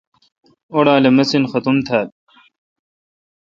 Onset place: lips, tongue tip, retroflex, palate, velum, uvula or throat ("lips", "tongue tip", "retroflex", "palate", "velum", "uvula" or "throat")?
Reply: retroflex